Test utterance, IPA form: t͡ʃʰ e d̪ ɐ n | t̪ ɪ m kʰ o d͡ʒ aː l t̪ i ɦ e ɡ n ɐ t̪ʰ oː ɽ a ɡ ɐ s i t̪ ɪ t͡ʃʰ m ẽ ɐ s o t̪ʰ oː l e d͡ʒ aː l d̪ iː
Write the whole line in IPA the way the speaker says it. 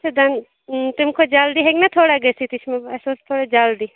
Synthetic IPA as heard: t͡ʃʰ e d̪ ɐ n | t̪ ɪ m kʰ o d͡ʒ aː l d̪ i ɦ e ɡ n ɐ t̪ʰ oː ɽ a ɡ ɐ s i t̪ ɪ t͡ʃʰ m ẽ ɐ s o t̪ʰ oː ɽ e d͡ʒ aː l d̪ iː